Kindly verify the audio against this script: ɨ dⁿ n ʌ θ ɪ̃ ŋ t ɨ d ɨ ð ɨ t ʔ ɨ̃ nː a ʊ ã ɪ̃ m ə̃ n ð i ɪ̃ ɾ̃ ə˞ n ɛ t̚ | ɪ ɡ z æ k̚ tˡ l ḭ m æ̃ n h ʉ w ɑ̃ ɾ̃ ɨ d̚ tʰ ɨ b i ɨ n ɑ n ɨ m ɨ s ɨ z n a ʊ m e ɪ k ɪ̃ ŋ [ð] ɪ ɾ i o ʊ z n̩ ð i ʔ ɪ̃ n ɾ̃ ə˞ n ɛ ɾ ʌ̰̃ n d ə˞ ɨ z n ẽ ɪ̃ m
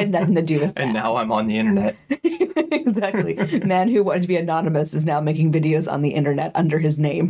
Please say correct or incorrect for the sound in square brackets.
incorrect